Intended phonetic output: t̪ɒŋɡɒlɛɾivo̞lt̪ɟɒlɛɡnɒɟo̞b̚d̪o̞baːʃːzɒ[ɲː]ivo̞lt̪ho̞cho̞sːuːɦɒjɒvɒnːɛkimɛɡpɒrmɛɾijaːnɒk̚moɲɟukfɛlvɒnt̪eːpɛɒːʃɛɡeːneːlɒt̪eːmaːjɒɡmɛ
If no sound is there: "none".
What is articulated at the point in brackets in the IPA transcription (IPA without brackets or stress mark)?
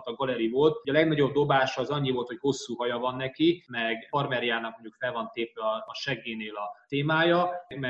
ɲː